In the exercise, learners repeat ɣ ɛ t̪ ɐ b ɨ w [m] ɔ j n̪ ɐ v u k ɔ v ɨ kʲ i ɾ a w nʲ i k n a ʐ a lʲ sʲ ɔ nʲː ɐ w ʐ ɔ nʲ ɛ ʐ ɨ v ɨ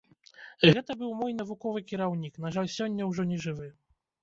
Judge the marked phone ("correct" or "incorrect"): correct